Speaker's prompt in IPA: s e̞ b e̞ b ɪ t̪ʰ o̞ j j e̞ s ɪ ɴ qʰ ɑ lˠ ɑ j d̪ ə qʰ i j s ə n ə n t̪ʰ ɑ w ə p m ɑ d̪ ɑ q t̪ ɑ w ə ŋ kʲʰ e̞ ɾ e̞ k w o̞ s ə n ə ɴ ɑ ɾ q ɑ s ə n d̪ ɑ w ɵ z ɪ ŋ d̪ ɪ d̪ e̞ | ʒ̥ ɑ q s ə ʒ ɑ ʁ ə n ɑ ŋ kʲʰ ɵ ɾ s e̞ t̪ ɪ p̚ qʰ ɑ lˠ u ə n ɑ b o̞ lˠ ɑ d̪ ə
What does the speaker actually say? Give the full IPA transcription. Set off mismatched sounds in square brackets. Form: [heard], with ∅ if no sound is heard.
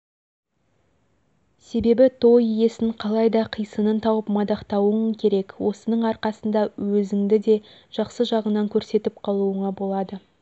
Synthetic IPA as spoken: s e̞ b e̞ b ɪ t̪ʰ o̞ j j e̞ s ɪ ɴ qʰ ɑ lˠ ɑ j d̪ [ɑ] qʰ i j s ə n ə n t̪ʰ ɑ w ə p m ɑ d̪ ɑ q t̪ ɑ w ə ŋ kʲʰ e̞ ɾ e̞ k w o̞ s ə n ə ɴ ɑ ɾ q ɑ s ə n d̪ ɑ w ɵ z ɪ ŋ d̪ ɪ d̪ e̞ | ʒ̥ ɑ q s ə ʒ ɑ ʁ ə n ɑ ŋ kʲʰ ɵ ɾ s e̞ t̪ ɪ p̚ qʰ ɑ lˠ u ə [ɴ] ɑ b o̞ lˠ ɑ d̪ ə

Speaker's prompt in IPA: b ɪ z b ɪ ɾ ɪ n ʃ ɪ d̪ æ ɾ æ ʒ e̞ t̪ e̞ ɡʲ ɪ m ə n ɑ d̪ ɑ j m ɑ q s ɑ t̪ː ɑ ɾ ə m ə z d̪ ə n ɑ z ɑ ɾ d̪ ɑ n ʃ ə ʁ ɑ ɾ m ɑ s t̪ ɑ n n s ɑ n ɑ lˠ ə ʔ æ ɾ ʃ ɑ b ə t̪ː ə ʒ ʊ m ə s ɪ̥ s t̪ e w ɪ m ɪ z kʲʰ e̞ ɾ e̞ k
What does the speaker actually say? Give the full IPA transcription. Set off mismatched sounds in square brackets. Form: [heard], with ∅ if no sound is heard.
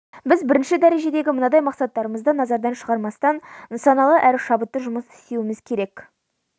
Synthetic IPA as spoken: b ɪ z b ɪ ɾ ɪ n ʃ ɪ d̪ æ ɾ [e] ʒ e̞ [d̪] e̞ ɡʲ ɪ m ə n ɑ d̪ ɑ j m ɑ q s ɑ t̪ː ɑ ɾ ə m ə z d̪ ə n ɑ z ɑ ɾ d̪ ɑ n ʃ ə ʁ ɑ ɾ m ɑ s t̪ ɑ n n s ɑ n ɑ lˠ ə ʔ æ ɾ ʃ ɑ b ə t̪ː ə ʒ ʊ m ə s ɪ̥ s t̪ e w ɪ m ɪ z kʲʰ e̞ ɾ e̞ k

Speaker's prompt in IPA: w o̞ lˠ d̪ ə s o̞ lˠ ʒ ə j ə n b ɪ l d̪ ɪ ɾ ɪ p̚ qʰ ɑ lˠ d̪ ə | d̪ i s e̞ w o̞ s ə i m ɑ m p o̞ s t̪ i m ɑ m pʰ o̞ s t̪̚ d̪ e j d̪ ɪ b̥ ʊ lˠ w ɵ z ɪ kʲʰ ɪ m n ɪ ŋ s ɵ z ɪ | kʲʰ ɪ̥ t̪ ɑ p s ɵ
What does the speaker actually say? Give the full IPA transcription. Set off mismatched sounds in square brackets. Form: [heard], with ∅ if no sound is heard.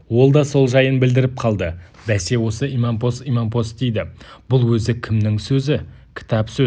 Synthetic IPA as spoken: w o̞ lˠ d̪ [ɑ] s o̞ lˠ ʒ [ɑ] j ə n b ɪ l d̪ ɪ ɾ ɪ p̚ qʰ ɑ lˠ d̪ ə | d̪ [æ] s e̞ w o̞ s ə i m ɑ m p o̞ s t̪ i m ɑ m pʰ o̞ s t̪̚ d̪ e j d̪ ɪ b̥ ʊ lˠ w ɵ z ɪ kʲʰ ɪ m n ɪ ŋ s ɵ z ɪ | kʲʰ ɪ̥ t̪ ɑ p s ɵ

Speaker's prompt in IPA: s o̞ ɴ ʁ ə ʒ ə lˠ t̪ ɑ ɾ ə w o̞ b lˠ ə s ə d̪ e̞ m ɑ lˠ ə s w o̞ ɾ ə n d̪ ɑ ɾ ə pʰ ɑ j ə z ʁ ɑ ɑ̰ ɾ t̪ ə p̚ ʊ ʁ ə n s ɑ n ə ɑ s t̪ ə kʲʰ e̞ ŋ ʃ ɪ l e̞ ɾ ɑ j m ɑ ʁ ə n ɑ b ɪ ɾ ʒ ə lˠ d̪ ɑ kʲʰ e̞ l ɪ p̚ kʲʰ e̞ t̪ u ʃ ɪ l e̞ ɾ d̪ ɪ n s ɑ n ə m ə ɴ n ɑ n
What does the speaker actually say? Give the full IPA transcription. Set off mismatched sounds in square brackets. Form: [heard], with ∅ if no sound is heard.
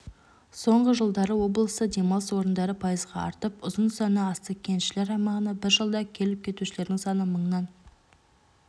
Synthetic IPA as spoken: s o̞ ɴ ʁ ə ʒ ə lˠ [d̪] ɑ ɾ ə w o̞ b lˠ ə s ə d̪ e̞ m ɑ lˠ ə s w o̞ ɾ ə n d̪ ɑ ɾ ə pʰ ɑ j ə z ʁ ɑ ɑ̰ ɾ t̪ ə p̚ ʊ [z] ə n s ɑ n ə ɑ s t̪ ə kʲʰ e̞ [n] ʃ ɪ l e̞ ɾ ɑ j m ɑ ʁ ə n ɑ b ɪ ɾ ʒ ə lˠ d̪ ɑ kʲʰ e̞ l ɪ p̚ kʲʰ e̞ t̪ u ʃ ɪ l e̞ ɾ d̪ ɪ [ŋ] s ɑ n ə m ə ɴ n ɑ n

